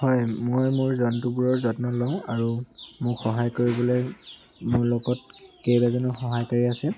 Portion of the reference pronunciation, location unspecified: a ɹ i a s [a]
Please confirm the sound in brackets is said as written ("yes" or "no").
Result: no